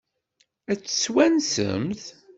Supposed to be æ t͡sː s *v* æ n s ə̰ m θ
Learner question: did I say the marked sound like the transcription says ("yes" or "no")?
no